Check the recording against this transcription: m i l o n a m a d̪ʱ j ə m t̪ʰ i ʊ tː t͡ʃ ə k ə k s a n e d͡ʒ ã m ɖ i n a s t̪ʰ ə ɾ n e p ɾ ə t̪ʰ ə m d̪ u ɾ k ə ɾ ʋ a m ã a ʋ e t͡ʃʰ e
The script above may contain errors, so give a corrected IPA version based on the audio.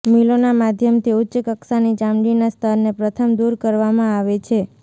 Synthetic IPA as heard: m i l o n a m a d̪ʱ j ə m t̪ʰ i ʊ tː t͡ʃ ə k ə k s a n i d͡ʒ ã m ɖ i n a s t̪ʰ ə ɾ n e p ɾ ə t̪ʰ ə m d̪ u ɾ k ə ɾ ʋ a m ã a ʋ e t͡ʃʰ e